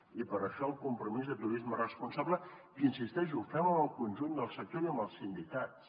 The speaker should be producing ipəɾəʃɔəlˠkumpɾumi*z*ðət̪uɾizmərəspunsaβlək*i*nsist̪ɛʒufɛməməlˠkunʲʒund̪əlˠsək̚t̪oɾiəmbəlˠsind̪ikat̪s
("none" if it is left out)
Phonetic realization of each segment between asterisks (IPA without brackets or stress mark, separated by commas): z, i